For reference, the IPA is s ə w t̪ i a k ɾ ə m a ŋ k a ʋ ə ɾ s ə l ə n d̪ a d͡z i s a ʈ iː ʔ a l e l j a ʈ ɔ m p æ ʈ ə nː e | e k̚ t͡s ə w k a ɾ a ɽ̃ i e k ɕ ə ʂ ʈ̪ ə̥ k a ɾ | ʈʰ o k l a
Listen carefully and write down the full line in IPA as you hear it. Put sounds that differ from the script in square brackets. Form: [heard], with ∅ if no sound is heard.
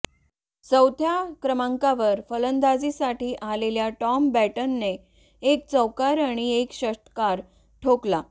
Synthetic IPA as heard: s ə w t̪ [j] a k ɾ ə m a ŋ k a ʋ ə ɾ [f] ə l ə n d̪ a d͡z i s a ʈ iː ʔ a l e l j a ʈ ɔ m [b] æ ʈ ə nː e | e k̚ t͡s ə w k a ɾ a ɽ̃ i e k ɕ ə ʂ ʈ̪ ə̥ k a ɾ | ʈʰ o k l a